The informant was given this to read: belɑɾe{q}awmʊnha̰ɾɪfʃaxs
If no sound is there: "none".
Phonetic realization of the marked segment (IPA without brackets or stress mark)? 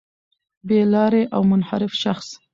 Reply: ʔ